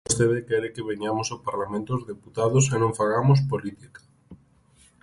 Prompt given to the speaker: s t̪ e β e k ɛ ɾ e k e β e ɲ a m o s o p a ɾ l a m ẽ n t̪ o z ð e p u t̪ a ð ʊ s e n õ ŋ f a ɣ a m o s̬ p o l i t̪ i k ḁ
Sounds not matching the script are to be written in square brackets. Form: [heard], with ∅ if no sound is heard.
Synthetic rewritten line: s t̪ e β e k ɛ ɾ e k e β e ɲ a m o s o p a ɾ l a m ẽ n t̪ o z ð e p u t̪ a ð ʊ s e n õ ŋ f a ɣ a m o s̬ p o l i t̪ i k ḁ